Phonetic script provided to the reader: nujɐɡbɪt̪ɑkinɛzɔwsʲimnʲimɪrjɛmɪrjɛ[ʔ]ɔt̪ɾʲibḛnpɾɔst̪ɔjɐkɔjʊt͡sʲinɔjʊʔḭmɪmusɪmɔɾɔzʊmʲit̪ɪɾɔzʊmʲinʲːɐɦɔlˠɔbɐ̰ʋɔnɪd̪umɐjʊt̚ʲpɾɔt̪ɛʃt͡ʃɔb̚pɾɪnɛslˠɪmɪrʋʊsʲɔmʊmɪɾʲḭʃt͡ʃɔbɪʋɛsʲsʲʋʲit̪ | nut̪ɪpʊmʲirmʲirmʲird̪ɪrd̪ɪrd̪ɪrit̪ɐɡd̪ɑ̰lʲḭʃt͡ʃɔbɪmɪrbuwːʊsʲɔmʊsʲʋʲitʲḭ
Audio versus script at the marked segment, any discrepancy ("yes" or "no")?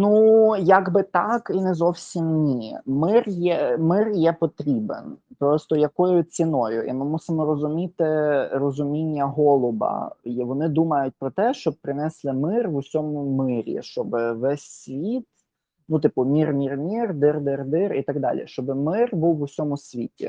yes